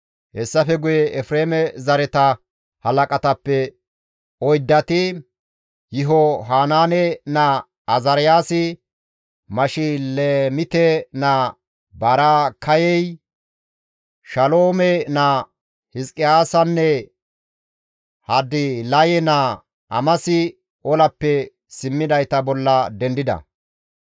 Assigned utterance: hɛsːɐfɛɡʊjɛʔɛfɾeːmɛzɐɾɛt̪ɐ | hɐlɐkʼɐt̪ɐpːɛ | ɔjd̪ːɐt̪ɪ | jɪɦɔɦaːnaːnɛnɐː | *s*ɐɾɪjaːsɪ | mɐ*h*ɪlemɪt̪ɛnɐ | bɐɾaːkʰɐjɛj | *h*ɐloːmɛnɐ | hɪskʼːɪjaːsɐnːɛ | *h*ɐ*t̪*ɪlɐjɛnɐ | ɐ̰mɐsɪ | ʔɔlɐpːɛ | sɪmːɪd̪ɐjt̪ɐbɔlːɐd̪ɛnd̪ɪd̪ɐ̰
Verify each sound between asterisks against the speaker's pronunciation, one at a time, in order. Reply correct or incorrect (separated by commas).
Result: incorrect, incorrect, incorrect, correct, incorrect